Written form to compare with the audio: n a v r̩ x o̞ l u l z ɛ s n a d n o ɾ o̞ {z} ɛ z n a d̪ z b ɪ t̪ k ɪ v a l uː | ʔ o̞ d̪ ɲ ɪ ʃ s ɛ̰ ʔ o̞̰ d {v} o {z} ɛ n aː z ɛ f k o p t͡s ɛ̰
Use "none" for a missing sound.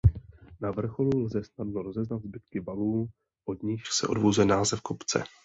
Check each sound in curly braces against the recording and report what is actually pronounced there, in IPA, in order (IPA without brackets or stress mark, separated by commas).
z, v, z